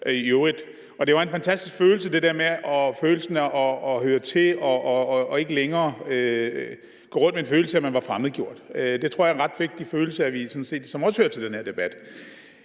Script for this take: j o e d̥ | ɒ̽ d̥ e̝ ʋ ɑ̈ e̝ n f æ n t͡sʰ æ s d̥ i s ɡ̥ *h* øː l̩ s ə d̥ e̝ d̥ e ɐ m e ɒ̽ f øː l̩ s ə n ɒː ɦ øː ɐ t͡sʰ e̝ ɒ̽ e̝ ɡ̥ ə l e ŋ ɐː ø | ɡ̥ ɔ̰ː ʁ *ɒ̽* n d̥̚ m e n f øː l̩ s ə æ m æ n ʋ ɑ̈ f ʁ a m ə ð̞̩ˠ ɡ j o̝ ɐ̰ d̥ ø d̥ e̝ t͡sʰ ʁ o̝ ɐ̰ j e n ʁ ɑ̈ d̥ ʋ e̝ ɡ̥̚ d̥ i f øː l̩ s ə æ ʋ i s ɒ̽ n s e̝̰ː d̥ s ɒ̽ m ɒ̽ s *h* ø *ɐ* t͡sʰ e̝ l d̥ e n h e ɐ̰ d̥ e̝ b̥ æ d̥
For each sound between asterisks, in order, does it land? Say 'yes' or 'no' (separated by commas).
no, no, yes, yes